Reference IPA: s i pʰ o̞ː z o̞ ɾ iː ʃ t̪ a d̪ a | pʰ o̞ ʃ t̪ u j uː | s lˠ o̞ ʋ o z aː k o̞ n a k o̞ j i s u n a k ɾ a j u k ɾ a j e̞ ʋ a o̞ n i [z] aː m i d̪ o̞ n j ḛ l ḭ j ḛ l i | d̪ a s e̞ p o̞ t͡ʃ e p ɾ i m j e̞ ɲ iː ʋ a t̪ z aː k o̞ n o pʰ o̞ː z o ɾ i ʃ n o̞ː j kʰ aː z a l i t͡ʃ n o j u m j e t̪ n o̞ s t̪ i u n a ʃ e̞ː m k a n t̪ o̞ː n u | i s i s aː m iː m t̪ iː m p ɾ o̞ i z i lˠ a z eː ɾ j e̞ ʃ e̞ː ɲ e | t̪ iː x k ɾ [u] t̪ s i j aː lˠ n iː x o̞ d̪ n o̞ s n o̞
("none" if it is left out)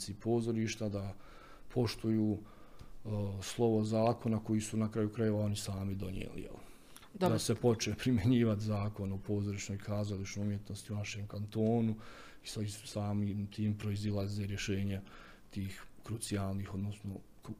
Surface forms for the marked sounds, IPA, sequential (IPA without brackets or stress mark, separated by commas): s, u